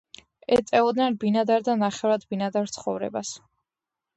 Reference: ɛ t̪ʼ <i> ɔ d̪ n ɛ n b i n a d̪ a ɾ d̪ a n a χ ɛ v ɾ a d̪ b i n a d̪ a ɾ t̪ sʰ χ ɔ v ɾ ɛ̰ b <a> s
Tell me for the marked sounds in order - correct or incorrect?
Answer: incorrect, correct

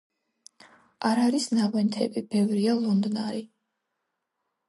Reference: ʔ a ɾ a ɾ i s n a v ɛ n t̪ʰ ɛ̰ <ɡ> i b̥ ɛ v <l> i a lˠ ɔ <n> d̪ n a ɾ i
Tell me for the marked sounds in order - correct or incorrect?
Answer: incorrect, incorrect, correct

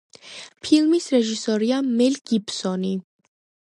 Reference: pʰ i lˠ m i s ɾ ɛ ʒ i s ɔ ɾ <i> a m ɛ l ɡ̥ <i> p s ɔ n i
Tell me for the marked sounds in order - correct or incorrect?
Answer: correct, correct

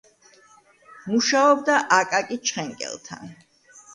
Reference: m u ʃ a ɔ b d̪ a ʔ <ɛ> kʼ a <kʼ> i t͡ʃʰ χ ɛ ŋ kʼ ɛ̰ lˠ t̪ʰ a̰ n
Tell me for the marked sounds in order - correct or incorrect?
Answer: incorrect, correct

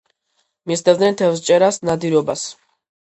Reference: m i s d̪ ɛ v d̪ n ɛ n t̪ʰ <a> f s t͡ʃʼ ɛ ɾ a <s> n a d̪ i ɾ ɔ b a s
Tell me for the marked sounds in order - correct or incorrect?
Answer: incorrect, correct

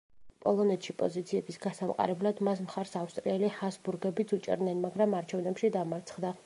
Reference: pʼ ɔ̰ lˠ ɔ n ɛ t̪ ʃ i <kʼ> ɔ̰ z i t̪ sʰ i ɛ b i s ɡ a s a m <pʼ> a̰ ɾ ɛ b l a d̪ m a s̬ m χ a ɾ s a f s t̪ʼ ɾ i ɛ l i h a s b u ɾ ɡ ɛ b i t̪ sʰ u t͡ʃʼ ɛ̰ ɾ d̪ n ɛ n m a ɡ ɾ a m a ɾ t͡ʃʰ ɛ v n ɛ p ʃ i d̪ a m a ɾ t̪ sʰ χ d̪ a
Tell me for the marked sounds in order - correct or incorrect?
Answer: incorrect, incorrect

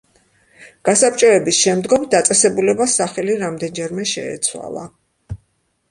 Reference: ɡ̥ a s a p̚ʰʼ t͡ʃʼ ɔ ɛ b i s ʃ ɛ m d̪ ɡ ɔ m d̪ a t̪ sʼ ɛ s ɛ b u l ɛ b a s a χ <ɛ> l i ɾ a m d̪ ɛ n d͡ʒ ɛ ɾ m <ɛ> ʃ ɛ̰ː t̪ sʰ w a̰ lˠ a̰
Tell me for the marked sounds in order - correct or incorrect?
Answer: correct, correct

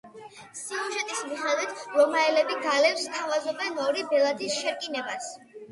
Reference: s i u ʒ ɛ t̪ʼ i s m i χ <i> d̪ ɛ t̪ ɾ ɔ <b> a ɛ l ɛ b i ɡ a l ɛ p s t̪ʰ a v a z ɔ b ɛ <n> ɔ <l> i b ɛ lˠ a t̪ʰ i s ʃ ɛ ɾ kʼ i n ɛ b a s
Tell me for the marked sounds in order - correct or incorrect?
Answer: incorrect, incorrect, correct, incorrect

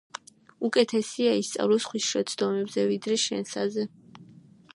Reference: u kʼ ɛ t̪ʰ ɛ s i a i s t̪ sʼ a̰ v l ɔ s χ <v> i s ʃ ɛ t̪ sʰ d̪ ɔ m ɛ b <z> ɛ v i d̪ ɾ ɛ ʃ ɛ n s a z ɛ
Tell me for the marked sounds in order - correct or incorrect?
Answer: incorrect, correct

